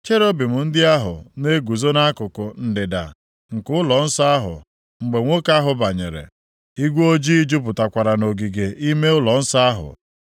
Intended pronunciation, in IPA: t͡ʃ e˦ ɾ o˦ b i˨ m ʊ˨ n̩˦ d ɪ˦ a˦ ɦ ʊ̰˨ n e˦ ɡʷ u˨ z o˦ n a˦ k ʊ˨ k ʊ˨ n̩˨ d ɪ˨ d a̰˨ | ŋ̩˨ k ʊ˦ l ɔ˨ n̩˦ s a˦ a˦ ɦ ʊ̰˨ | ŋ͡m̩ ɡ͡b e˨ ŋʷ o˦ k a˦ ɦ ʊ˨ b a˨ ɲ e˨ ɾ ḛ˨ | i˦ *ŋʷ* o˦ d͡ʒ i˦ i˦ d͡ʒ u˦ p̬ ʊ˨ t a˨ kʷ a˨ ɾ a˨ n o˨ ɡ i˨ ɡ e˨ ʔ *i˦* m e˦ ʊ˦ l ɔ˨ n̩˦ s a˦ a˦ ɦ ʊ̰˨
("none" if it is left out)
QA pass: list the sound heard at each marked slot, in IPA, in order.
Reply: ɡʷ, i˦

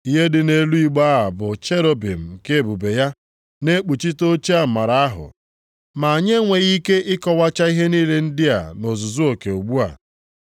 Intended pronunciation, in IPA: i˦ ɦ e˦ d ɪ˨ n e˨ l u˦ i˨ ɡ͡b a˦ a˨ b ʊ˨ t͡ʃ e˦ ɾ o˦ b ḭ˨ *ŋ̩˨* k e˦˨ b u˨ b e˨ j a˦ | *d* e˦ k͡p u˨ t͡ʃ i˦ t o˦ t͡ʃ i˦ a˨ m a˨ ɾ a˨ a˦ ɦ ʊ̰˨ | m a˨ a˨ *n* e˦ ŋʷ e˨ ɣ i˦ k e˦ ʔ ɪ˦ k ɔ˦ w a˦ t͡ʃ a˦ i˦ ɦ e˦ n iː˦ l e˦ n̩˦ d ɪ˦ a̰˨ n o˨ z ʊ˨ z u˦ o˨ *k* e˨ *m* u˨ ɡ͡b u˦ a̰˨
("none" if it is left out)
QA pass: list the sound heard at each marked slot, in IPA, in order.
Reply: m̩˨, n, ɲ, k, none

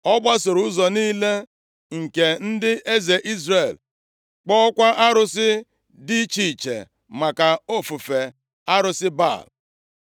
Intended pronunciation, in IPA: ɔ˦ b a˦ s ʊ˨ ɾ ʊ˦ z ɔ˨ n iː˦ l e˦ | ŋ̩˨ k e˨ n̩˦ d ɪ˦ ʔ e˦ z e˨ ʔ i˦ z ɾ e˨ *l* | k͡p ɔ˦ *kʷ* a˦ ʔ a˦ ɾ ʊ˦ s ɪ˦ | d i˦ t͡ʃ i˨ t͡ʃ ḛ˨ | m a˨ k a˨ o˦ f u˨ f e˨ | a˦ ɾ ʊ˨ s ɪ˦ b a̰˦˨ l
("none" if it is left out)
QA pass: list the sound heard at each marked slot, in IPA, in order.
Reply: l, kʷ

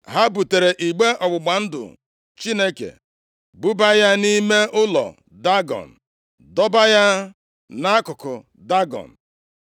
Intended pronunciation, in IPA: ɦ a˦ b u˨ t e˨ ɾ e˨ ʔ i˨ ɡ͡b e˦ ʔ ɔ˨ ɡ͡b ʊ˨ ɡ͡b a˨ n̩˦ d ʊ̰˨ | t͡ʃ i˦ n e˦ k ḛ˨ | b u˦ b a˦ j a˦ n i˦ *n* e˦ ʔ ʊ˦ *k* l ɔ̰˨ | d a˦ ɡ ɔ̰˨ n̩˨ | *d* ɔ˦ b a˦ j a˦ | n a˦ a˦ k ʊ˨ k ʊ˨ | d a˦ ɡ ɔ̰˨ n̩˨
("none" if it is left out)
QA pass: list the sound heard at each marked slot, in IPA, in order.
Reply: m, none, d

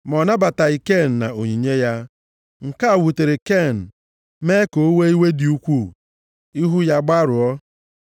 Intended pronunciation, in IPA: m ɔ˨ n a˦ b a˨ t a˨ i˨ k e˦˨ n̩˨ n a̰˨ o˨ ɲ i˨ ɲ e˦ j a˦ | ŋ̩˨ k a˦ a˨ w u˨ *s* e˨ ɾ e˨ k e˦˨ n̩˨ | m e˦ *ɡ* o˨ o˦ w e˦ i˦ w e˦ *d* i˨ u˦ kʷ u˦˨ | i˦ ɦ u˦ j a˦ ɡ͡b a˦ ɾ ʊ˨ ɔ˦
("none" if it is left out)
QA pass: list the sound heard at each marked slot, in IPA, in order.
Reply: t, k, d

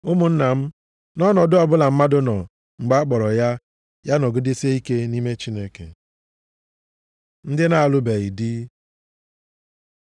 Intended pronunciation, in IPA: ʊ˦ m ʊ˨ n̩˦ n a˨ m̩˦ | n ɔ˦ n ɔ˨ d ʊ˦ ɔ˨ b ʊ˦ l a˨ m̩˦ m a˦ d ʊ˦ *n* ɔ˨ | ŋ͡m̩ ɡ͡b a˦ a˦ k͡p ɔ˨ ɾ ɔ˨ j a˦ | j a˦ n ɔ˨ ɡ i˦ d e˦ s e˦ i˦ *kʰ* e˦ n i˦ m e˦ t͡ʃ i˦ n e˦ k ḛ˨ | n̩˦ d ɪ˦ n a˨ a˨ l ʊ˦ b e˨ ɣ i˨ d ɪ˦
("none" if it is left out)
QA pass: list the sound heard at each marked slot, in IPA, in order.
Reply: n, k

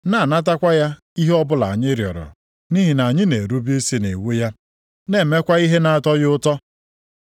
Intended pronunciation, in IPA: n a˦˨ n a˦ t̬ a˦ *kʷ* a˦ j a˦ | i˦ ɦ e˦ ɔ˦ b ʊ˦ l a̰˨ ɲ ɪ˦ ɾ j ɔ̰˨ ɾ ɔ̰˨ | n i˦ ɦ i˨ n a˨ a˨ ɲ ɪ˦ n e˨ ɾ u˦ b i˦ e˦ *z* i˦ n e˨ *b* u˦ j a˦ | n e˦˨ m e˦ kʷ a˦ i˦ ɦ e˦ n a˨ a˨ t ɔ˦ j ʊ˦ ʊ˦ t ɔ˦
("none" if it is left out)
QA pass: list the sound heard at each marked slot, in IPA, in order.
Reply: kʷ, s, w

